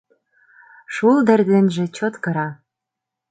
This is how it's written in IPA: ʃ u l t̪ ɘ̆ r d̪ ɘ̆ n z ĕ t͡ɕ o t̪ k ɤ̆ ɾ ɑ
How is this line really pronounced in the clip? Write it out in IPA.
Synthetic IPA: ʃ u l d̪ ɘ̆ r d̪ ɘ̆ n ʒ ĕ t͡ɕ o t̪ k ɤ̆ ɾ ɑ